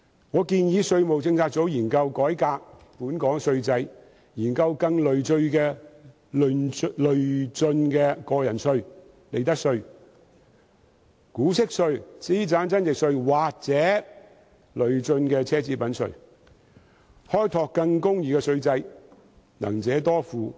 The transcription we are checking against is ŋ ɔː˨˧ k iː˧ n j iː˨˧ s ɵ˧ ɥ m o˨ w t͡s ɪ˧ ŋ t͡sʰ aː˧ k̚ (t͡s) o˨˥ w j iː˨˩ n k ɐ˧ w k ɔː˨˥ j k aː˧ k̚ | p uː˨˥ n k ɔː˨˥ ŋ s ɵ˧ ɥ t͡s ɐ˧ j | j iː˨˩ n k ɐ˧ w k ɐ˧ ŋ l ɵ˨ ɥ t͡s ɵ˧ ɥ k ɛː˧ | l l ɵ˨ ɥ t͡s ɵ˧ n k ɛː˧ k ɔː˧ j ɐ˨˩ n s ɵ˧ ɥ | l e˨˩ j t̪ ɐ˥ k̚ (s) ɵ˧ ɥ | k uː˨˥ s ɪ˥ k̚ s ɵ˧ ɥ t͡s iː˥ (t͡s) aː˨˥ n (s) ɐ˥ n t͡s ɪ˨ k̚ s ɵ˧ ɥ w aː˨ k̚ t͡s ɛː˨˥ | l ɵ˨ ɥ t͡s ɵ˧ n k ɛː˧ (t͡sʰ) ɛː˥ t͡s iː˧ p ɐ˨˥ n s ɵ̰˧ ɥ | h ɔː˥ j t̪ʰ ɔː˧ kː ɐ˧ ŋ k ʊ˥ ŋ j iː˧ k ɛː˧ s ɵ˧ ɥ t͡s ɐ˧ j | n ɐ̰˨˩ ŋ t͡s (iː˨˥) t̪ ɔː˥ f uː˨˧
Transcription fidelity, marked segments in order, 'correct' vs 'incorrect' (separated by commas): correct, correct, correct, incorrect, correct, incorrect